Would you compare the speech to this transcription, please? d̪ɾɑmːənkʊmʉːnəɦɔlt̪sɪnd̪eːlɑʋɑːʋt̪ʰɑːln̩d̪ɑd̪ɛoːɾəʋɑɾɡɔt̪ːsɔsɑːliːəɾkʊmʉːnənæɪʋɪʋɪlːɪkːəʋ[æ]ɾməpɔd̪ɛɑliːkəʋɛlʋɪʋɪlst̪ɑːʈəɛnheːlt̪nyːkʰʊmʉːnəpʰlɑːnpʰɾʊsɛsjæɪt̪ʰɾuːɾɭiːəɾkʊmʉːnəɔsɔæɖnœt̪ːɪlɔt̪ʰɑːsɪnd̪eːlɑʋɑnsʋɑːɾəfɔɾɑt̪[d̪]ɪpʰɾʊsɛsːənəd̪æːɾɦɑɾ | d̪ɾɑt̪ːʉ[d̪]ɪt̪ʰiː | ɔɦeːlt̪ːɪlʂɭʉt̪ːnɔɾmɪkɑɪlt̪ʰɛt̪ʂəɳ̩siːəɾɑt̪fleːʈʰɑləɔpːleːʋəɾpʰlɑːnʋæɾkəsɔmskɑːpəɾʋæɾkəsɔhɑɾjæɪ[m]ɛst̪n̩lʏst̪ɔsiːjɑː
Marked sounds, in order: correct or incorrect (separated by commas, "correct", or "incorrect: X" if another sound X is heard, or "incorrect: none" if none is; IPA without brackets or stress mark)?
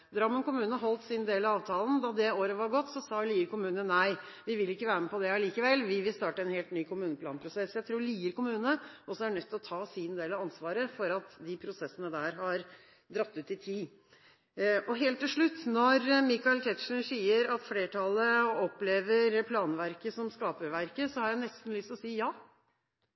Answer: incorrect: æː, correct, incorrect: t̪, incorrect: n